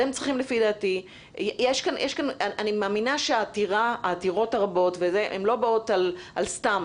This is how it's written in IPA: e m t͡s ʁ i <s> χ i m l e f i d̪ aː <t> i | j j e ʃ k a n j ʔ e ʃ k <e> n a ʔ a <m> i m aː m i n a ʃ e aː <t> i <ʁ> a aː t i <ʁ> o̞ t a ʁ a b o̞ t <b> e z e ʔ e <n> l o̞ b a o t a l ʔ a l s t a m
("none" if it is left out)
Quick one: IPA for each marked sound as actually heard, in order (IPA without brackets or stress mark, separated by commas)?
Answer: none, t, a, n, t, ʁ, ʁ, v, m